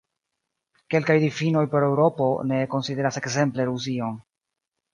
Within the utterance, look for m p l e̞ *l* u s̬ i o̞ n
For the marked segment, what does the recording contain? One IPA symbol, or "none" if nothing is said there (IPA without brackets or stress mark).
ɾ